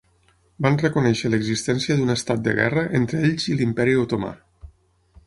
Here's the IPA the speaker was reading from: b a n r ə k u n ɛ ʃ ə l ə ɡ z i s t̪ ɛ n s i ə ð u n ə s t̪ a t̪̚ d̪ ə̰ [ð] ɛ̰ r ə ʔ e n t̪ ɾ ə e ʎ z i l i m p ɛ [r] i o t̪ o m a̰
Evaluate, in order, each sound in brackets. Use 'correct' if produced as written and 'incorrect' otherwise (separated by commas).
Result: incorrect, incorrect